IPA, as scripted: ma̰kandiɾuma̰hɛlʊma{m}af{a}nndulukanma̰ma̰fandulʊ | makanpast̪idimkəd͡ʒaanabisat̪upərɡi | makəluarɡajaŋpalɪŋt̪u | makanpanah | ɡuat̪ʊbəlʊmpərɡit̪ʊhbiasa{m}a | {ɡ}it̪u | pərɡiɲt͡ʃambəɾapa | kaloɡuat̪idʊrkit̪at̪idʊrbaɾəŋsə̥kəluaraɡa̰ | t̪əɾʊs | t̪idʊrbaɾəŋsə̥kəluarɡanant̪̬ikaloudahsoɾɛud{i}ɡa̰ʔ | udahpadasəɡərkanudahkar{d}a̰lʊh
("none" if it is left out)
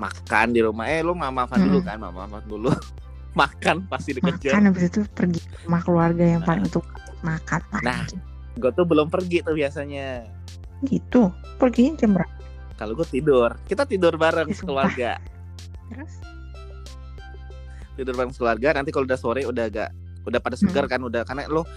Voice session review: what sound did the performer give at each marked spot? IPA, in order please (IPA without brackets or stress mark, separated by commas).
m, a, ɲ, ɡ, a, n